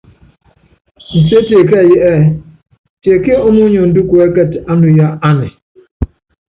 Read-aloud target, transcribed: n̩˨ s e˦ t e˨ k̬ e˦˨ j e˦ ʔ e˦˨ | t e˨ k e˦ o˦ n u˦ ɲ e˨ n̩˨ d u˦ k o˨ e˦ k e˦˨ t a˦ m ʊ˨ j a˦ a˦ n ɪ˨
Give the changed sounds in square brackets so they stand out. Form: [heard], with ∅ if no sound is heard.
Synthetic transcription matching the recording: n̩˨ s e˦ t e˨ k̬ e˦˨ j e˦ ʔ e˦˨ | t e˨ k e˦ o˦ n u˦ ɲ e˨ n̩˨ d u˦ k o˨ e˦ k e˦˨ t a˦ [n] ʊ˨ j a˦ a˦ n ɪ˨